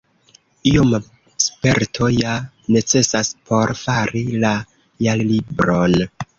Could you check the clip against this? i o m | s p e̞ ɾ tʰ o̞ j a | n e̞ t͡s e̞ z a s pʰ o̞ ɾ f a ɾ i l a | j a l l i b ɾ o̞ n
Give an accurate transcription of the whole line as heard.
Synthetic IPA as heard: i o m | s p e̞ ɾ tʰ o̞ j a | n e̞ t͡s e̞ s a s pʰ o̞ ɾ f a ɾ i l a | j a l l i b ɾ o̞ n